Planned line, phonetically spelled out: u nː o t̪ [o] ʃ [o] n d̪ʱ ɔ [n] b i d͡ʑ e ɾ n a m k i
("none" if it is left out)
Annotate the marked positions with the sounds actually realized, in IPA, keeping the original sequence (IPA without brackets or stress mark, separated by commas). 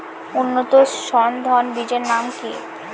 o, ɔ, n